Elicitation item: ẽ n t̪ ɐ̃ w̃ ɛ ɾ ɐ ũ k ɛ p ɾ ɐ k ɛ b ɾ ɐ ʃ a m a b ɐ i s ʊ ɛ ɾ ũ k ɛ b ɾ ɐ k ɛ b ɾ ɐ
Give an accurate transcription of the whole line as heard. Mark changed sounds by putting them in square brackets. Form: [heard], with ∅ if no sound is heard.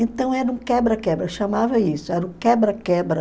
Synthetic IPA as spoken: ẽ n t̪ ɐ̃ w̃ ɛ ɾ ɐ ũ k ɛ [b] ɾ ɐ k ɛ b ɾ ɐ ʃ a m a [v] ɐ i s ʊ ɛ ɾ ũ k ɛ b ɾ ɐ k ɛ b ɾ ɐ